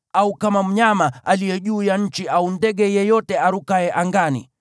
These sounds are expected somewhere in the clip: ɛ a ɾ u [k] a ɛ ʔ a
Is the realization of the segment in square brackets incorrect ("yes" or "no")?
no